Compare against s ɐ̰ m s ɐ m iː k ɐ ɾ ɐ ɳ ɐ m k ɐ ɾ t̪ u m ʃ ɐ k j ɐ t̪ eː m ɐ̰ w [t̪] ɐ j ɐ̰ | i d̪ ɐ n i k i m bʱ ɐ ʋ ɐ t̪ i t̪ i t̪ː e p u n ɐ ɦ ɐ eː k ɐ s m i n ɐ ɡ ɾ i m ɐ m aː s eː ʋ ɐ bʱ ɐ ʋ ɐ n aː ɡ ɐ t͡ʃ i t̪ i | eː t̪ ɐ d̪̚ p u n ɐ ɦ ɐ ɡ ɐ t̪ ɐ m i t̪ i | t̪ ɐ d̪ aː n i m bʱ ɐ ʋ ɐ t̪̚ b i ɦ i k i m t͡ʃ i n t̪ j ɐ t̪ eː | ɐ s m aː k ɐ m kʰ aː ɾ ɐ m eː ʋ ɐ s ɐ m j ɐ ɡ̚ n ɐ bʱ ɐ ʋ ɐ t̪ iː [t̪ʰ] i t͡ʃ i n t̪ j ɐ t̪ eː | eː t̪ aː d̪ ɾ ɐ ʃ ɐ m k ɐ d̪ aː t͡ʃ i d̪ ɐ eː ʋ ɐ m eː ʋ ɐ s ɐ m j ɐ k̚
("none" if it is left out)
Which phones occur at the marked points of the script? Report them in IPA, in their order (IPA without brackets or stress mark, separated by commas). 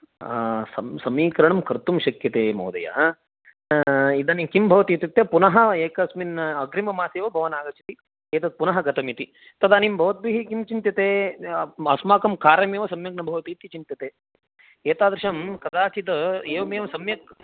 d̪, t̪